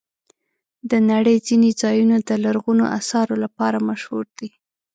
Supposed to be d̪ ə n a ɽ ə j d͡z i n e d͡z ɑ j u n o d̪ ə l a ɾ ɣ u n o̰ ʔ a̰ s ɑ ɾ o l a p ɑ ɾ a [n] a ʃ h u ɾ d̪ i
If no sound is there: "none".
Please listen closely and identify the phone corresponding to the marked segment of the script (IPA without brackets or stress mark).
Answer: m